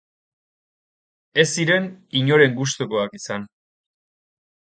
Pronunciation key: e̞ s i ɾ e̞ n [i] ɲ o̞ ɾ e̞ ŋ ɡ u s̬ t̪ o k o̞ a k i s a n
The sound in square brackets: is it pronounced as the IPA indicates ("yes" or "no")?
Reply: yes